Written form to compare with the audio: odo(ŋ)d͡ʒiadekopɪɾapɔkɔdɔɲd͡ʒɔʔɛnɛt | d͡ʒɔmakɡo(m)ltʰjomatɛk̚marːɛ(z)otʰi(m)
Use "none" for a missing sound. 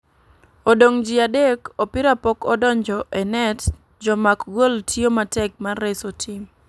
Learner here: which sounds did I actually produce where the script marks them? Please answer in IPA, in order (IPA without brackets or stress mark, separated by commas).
ŋ, none, s, m